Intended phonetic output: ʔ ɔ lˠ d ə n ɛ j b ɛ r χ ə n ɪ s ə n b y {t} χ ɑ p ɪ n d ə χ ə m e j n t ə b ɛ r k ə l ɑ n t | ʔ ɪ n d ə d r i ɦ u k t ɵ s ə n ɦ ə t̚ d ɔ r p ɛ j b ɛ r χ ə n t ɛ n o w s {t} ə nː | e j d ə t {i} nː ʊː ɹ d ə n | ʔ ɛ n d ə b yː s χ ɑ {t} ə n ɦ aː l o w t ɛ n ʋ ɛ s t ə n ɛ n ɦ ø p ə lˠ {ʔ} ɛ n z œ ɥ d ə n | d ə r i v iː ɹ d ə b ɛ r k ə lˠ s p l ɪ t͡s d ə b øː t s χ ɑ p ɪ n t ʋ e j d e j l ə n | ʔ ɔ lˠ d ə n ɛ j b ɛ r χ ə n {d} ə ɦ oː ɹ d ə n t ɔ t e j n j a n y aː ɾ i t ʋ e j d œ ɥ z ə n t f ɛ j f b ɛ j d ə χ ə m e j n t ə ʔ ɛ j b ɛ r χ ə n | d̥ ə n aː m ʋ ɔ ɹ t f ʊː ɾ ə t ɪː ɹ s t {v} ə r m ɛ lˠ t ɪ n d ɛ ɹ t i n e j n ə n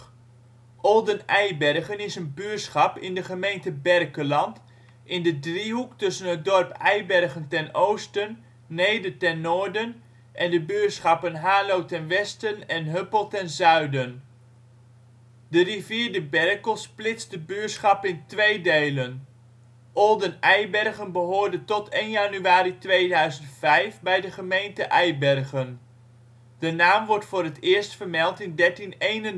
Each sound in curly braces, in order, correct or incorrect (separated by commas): incorrect, correct, incorrect, incorrect, incorrect, incorrect, incorrect